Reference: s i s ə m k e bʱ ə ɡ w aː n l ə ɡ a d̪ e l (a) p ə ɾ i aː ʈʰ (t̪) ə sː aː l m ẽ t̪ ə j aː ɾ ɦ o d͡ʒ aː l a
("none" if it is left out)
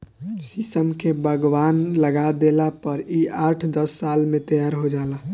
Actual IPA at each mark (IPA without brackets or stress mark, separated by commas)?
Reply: a, d̪